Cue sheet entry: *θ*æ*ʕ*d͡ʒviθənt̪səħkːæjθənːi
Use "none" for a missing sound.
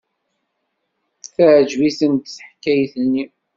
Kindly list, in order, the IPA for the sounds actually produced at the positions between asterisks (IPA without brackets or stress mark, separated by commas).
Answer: θ, ʕ